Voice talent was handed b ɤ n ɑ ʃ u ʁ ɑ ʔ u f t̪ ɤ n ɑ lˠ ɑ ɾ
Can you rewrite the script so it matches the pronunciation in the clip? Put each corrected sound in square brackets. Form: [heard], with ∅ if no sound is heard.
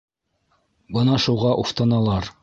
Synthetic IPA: b ɤ n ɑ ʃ u ʁ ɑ ʔ u f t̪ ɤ n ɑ lˠ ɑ ɾ